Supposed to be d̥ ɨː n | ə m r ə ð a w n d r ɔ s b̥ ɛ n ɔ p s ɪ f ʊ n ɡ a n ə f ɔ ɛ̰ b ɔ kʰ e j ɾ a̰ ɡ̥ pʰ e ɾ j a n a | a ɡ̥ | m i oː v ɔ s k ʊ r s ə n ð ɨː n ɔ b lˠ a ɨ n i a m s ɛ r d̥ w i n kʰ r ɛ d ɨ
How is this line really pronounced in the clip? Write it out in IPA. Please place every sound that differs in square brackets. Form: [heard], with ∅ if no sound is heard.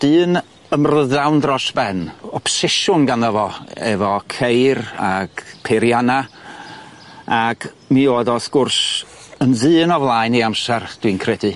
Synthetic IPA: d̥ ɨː n | ə m r ə ð a w n d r ɔ s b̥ ɛ n ɔ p s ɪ [ʃ] ʊ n ɡ a n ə [v] ɔ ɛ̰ [v] ɔ kʰ e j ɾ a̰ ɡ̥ pʰ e ɾ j a n a | a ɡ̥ | m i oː [ð] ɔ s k ʊ r s ə n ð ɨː n ɔ [v] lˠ a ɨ n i a m s ɛ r d̥ w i n kʰ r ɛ d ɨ